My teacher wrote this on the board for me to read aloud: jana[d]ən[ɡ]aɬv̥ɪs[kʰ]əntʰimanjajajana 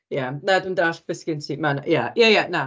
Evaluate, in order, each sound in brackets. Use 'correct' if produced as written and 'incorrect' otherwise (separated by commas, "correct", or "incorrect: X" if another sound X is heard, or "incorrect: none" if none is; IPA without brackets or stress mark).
correct, incorrect: d, incorrect: k